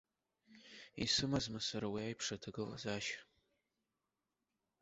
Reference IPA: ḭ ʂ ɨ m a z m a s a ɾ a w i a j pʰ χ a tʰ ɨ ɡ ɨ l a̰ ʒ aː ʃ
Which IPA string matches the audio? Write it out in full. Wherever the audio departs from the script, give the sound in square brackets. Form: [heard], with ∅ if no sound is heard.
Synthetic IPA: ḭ [s] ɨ m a z m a s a ɾ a w i a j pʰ [ʂ] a tʰ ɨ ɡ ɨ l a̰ [z] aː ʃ